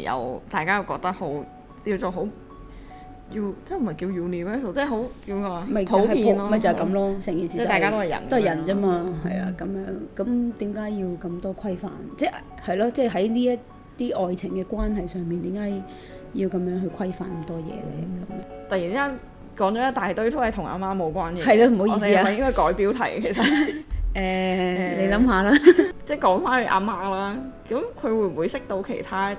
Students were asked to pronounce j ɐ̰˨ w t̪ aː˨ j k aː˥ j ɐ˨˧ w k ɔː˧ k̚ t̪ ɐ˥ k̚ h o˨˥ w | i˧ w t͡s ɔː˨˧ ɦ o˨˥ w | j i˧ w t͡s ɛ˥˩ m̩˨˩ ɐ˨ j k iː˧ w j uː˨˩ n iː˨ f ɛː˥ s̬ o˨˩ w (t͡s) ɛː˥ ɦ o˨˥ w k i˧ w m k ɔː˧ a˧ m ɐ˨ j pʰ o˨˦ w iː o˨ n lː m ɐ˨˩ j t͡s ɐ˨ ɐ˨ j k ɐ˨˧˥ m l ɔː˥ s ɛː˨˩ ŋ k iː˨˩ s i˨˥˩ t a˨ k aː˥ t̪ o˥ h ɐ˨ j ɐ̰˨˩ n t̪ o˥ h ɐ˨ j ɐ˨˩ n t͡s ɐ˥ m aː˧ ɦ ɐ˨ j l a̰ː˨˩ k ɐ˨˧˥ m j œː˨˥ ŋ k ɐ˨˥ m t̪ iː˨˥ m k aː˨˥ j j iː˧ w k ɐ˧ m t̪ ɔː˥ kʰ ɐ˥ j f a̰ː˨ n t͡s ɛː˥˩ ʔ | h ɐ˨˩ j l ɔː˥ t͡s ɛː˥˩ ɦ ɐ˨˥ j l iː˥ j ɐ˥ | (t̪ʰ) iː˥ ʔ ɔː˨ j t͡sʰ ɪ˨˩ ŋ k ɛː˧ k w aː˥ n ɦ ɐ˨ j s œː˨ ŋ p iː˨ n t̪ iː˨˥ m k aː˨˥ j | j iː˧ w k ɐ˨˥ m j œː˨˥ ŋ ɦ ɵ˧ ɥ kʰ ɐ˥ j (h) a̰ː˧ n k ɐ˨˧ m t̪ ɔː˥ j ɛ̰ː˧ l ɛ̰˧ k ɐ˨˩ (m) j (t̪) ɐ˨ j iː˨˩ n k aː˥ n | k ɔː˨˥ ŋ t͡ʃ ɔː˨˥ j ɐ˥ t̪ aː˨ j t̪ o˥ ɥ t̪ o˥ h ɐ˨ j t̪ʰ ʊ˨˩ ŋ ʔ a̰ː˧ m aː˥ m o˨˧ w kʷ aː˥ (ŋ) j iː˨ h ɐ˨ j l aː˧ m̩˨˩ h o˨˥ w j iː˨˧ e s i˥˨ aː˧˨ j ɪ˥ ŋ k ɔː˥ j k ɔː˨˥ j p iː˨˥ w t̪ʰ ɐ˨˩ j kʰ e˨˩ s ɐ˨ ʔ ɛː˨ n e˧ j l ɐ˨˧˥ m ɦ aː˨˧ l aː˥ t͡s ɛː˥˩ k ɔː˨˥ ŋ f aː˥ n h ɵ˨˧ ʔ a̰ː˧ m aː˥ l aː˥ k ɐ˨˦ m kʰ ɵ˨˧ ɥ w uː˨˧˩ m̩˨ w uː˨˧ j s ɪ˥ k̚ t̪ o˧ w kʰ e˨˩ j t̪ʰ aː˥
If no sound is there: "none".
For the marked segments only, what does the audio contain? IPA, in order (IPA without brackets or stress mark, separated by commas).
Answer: t͡s, t̪, f, m, t̪, n